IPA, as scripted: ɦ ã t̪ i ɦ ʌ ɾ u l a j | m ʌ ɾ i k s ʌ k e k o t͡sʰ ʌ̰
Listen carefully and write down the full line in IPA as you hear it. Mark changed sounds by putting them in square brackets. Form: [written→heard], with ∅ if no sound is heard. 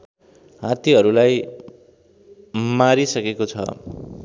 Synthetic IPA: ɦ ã t̪ i ɦ ʌ ɾ u l a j | m [ʌ→a] ɾ i [k→∅] s ʌ k e k o t͡sʰ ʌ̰

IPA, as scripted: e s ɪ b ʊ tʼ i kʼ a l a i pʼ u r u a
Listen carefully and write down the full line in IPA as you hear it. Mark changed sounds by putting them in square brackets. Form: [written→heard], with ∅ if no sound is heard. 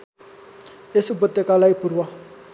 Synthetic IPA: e s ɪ b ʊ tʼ [i→ɛ] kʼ a l a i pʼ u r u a

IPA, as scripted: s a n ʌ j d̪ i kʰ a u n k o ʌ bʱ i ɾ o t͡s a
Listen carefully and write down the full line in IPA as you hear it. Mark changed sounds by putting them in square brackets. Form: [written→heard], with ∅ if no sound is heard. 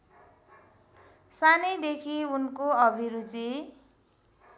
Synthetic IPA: s a n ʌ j d̪ [i→e] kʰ [a→i] u n k o ʌ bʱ i ɾ [o→u] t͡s [a→i]

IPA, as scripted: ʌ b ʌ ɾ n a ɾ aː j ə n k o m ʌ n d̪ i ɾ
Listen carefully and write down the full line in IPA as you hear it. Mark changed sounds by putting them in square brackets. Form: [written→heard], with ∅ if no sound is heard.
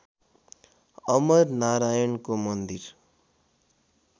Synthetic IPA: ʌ [b→m] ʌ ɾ n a ɾ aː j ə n k o m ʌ n d̪ i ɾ

